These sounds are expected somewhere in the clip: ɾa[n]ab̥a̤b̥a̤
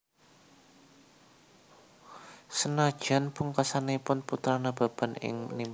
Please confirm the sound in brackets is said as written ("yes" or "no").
yes